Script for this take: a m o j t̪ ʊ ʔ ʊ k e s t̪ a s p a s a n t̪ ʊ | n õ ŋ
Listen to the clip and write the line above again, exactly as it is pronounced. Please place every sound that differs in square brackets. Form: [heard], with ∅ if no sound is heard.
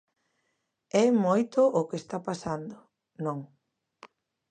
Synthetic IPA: [ɛ] m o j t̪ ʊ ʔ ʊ k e s t̪ a [∅] p a s a n [d̪] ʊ | n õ ŋ